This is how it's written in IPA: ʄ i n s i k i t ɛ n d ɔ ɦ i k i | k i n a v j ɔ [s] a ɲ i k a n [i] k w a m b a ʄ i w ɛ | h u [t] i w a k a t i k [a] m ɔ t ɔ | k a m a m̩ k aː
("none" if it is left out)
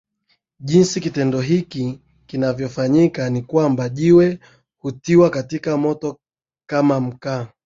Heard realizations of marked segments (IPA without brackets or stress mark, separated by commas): f, i, t, a